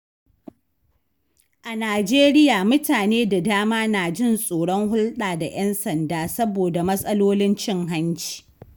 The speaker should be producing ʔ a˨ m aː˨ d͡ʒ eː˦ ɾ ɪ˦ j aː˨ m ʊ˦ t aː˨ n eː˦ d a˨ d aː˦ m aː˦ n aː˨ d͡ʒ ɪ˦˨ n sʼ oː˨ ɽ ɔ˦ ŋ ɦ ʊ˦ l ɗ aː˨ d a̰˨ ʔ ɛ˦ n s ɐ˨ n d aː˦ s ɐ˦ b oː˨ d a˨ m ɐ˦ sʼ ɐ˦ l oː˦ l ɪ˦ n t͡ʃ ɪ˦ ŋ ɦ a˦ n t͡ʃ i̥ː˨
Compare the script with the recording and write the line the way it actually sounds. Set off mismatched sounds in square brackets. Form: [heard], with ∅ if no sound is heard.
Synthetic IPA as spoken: ʔ a˨ [n] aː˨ d͡ʒ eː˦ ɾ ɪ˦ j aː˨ m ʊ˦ t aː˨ n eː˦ d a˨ d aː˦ m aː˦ n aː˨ d͡ʒ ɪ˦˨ n sʼ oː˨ ɽ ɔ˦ ŋ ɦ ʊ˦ l ɗ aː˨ d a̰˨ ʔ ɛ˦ n s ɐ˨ n d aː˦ s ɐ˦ b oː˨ d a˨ m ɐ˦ sʼ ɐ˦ l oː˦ l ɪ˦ n t͡ʃ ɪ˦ ŋ ɦ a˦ n t͡ʃ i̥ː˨